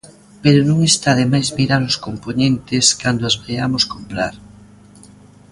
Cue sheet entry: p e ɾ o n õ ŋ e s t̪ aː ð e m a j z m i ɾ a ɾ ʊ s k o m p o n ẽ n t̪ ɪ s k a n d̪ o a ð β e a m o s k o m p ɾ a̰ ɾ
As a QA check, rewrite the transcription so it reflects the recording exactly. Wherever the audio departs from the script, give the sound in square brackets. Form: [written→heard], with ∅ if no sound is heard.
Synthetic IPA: p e ɾ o n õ ŋ e s t̪ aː ð e m a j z m i ɾ a ɾ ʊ s k o m p o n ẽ n t̪ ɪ s k a n d̪ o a [ð→z] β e a m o s k o m p ɾ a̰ ɾ